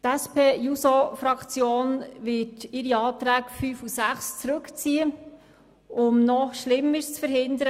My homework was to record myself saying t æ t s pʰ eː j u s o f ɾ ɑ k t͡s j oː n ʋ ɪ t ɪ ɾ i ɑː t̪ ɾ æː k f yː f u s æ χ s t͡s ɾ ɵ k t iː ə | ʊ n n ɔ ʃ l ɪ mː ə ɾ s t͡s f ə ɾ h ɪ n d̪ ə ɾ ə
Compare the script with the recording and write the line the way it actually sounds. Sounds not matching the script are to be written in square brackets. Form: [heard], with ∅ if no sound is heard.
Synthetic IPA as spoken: t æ [∅] s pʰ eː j u s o f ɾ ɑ k t͡s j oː n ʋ ɪ t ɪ ɾ i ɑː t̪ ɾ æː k f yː f u s æ χ s t͡s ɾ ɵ k [t͡s] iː ə | ʊ [m] n ɔ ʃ l ɪ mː ə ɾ s t͡s f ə ɾ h ɪ n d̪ ə ɾ ə